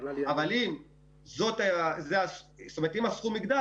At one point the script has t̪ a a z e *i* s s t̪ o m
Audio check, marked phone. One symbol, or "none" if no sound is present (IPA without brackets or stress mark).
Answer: a